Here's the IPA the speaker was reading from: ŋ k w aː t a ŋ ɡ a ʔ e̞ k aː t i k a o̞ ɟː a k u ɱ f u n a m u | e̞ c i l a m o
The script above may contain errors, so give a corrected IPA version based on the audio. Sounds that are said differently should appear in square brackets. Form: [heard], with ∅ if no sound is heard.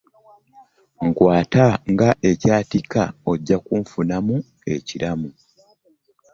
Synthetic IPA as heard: ŋ k w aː t a ŋ ɡ a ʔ e̞ [c] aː t i k a o̞ ɟː a k u ɱ f u n a m u | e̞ c i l a m [u]